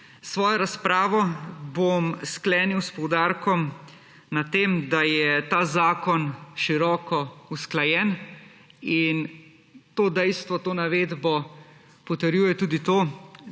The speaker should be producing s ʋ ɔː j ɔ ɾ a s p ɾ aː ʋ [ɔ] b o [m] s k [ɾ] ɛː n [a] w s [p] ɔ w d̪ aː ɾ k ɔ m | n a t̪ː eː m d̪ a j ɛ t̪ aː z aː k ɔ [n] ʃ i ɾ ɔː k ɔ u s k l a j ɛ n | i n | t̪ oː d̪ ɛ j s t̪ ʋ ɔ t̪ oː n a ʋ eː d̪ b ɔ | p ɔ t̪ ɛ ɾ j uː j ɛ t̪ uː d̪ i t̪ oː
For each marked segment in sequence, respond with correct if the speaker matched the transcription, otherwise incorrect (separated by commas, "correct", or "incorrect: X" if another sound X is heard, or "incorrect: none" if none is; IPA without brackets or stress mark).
correct, correct, incorrect: l, incorrect: i, correct, correct